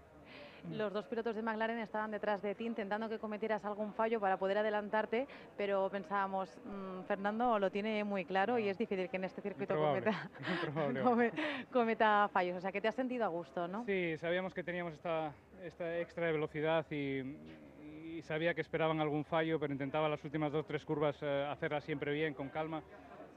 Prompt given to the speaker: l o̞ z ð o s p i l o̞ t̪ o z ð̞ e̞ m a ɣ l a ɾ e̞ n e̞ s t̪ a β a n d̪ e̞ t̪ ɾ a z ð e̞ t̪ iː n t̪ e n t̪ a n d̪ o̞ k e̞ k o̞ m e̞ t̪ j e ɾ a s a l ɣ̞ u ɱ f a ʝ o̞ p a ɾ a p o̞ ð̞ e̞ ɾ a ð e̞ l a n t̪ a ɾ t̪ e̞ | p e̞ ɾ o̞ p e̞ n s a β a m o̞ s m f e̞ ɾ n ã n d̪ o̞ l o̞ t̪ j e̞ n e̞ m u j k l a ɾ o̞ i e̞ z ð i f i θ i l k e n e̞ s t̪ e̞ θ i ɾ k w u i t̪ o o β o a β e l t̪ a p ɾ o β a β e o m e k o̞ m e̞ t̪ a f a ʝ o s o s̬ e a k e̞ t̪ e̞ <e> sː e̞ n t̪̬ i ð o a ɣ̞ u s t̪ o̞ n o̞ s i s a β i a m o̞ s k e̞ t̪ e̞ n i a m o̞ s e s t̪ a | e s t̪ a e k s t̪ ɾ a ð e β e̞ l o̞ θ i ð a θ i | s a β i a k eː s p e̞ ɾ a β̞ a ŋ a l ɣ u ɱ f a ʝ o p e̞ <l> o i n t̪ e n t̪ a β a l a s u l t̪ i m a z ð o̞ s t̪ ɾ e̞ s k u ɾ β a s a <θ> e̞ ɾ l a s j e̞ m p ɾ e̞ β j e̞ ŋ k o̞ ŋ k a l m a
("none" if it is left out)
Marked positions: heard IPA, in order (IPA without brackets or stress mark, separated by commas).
a, ɾ, θ